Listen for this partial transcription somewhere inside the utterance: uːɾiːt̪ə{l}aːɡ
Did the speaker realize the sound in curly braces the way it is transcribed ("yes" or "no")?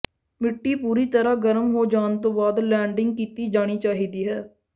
no